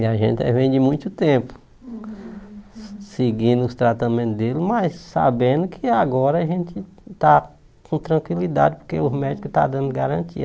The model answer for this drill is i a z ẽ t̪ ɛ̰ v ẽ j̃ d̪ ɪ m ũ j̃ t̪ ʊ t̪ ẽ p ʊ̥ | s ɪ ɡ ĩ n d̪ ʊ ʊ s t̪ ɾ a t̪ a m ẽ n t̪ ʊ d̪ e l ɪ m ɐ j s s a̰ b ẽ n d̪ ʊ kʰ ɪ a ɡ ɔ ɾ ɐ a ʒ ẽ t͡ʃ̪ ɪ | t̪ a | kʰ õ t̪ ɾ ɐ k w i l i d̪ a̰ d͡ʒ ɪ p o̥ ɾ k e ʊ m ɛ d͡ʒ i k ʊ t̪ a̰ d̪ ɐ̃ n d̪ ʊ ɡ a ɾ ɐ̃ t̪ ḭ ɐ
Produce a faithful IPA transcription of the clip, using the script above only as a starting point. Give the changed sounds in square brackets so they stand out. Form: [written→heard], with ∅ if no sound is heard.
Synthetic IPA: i a [z→ʒ] ẽ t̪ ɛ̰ v ẽ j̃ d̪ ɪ m ũ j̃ t̪ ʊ t̪ ẽ p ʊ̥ | s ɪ ɡ ĩ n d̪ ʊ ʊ s t̪ ɾ a t̪ a m ẽ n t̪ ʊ d̪ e l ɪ m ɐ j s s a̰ b ẽ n d̪ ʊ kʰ ɪ a ɡ ɔ ɾ ɐ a ʒ ẽ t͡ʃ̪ ɪ | t̪ a | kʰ õ t̪ ɾ [ɐ→ɐ̃] k w i l i d̪ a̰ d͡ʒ ɪ p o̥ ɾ k e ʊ m ɛ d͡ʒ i k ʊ t̪ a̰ d̪ ɐ̃ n d̪ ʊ ɡ a ɾ ɐ̃ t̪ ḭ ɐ